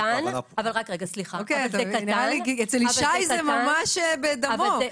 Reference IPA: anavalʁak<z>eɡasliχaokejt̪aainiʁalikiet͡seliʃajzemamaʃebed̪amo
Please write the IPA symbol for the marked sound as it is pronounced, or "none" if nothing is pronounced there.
ʁ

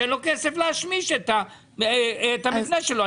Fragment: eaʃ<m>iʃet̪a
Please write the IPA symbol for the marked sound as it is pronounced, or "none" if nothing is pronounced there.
m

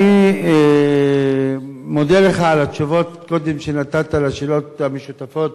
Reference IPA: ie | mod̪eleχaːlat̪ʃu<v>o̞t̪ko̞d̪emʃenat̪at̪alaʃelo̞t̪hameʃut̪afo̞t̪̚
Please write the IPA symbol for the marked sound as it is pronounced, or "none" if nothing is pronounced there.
v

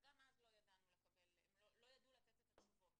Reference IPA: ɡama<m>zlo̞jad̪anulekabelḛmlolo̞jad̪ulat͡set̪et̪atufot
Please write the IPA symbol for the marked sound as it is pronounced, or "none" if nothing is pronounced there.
none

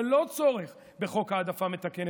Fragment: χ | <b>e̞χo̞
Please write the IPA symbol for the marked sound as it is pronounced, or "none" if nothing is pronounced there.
b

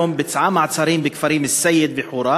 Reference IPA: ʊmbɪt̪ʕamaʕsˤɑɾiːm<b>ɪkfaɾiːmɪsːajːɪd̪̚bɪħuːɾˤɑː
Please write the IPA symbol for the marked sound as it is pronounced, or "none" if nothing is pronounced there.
b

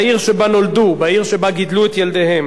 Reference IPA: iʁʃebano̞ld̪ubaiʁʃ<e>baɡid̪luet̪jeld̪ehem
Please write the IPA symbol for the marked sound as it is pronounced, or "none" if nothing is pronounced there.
e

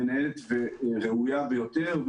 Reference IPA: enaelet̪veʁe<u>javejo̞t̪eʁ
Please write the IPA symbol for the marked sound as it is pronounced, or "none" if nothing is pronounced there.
u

